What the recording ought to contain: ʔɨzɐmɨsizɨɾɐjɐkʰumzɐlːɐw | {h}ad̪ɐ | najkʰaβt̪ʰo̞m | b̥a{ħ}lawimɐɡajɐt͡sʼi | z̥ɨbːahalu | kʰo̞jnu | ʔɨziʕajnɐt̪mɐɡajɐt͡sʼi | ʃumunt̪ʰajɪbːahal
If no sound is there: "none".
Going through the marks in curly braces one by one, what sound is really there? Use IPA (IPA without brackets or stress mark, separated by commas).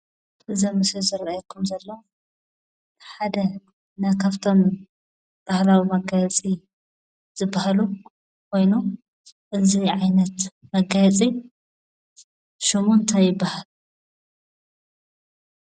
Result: ħ, h